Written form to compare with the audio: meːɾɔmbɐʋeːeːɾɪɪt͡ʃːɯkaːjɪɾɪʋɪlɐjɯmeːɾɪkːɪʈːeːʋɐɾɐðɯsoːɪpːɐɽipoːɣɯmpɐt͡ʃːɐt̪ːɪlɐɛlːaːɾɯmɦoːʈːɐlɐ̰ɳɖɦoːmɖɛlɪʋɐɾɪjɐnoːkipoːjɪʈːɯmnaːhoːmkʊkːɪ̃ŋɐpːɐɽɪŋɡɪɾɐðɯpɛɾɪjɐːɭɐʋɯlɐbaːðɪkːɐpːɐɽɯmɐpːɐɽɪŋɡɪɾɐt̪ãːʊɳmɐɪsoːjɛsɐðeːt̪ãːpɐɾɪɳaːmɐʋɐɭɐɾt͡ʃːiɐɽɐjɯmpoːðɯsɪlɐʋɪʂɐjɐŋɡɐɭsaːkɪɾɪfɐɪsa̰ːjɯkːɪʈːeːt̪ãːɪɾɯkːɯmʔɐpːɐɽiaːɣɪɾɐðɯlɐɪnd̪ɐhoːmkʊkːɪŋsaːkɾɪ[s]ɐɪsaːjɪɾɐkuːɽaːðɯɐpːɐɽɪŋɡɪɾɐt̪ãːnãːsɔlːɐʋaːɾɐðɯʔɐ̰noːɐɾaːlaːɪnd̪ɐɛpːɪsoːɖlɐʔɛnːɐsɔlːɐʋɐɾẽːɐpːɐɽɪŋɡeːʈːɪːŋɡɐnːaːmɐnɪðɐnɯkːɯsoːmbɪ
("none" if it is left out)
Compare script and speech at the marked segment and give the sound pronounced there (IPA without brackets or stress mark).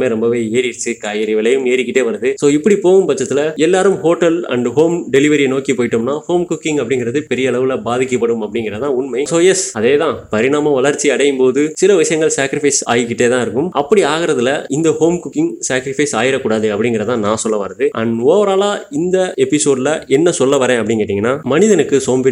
f